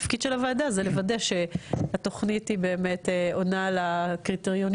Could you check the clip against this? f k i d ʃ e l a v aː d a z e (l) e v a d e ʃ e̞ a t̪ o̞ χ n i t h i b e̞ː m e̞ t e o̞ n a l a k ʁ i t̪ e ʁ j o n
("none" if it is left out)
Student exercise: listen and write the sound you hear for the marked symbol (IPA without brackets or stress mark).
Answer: l